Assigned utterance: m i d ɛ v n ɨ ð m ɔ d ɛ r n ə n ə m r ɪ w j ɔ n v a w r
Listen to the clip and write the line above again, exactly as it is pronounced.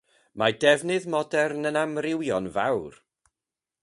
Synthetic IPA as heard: m a d ɛ v n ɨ ð m ɔ d ɛ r n ə n a m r ɪ w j ɔ n v a w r